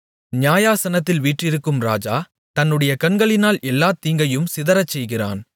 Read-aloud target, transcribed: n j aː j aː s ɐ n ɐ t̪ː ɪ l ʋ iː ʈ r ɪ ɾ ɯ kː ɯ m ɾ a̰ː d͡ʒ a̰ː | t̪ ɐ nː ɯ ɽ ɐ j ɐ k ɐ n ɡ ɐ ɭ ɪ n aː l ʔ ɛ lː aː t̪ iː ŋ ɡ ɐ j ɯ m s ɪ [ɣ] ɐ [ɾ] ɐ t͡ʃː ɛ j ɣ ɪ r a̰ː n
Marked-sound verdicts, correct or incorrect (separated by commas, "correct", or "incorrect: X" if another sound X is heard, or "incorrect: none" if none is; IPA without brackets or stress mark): incorrect: ð, correct